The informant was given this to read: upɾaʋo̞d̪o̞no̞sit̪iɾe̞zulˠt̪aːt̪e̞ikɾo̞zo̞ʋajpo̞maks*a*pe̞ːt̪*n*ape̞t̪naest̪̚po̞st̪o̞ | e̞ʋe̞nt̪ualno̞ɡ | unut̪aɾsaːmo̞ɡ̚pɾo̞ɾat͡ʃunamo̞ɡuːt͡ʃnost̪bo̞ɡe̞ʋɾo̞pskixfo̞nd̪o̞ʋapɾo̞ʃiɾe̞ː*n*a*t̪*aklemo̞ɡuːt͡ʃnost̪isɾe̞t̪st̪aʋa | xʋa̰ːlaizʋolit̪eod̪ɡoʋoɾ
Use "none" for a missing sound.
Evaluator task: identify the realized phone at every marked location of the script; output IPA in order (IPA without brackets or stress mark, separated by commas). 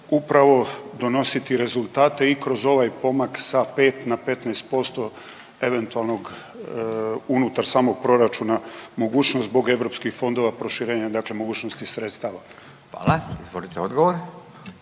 a, n, ɲ, d̪